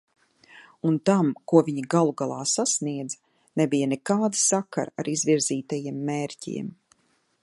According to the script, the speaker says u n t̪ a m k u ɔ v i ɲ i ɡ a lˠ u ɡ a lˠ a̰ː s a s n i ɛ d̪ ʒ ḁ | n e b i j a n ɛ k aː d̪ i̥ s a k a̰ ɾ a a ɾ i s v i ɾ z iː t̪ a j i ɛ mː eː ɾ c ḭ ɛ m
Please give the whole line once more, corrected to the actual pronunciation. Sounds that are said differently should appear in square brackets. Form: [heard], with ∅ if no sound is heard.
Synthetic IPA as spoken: u n t̪ a m k u ɔ v i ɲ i ɡ a lˠ u ɡ a lˠ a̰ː s a s n i ɛ d̪ [z] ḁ | n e b i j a n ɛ k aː d̪ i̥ s a k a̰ ɾ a a ɾ i [z] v i ɾ z iː t̪ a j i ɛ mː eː ɾ c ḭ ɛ m